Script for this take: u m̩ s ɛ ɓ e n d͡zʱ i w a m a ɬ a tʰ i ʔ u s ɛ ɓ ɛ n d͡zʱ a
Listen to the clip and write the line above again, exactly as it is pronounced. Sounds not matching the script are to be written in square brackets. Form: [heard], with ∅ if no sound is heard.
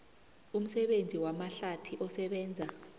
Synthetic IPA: u m̩ s ɛ ɓ e n d͡zʱ i w a m a ɬ a tʰ i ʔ [ɔ] s ɛ ɓ [ɛː] n d͡zʱ a